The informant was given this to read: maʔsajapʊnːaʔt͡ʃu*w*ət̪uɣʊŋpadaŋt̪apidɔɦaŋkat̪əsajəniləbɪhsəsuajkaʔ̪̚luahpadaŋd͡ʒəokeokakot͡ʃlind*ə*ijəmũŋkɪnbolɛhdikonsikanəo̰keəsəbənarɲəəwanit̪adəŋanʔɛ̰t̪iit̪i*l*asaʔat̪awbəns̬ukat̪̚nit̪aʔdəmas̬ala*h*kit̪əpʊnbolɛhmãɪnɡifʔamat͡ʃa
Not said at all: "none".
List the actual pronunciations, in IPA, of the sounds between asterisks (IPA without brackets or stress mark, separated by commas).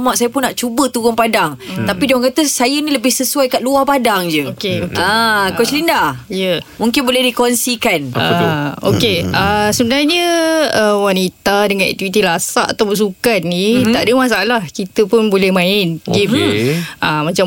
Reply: b, a, l, h